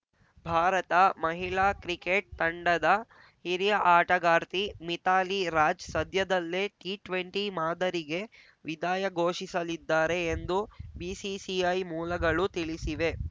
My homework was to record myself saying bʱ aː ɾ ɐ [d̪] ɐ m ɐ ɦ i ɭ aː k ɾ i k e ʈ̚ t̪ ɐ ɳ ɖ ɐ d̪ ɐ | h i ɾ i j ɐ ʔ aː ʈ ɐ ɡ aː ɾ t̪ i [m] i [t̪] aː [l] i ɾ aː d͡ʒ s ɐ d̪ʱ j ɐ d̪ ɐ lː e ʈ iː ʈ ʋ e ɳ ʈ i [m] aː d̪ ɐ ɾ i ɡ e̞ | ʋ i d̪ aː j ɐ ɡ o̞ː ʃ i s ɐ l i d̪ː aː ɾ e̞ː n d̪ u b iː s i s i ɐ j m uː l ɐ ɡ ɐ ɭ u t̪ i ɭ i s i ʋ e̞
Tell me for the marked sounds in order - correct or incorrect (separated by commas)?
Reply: incorrect, correct, correct, correct, correct